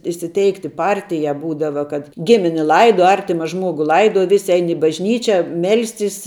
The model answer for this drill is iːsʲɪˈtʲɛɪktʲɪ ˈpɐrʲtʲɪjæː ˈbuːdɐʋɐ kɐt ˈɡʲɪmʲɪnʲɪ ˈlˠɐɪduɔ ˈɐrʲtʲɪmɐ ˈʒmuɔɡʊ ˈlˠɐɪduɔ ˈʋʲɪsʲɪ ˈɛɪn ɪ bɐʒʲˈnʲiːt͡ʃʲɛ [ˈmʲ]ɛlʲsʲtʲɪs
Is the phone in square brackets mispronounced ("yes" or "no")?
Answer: no